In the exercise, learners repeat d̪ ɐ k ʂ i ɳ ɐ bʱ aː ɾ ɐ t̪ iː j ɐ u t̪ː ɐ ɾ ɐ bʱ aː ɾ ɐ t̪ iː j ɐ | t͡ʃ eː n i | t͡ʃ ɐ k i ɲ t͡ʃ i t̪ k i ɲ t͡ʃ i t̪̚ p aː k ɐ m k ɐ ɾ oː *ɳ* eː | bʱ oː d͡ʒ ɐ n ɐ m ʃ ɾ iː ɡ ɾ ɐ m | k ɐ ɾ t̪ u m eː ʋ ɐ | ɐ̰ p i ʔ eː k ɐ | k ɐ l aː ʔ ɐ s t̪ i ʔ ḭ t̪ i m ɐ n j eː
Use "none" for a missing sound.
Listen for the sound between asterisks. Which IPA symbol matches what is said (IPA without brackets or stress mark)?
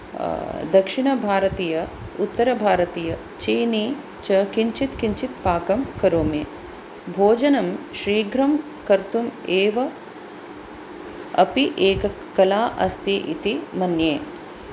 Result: m